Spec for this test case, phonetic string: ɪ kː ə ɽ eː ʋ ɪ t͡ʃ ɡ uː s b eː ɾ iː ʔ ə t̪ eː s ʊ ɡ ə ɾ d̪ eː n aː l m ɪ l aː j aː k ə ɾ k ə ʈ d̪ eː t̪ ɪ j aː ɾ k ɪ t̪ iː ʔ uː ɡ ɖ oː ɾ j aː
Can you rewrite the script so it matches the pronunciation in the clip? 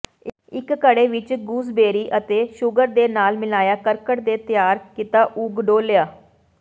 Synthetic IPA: ɪ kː ə ɽ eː ʋ ɪ t͡ʃ ɡ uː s b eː ɾ iː ʔ ə t̪ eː ʃ ʊ ɡ ə ɾ d̪ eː n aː l m ɪ l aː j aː k ə ɾ k ə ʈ d̪ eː t̪ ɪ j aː ɾ k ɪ t̪ aː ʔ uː ɡ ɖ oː l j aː